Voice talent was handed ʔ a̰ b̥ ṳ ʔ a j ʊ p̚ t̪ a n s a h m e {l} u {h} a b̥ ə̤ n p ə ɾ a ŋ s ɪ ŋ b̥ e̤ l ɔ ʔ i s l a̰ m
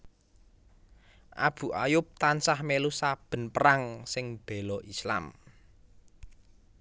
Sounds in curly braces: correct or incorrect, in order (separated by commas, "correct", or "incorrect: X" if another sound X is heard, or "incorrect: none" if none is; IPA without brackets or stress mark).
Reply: correct, incorrect: s